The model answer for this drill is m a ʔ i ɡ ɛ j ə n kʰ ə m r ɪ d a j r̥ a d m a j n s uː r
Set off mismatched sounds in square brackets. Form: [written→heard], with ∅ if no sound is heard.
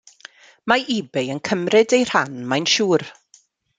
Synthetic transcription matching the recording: m a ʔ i [ɡ→b] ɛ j ə n kʰ ə m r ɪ d [a→e] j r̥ a [d→n] m a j n [s→ʃ] uː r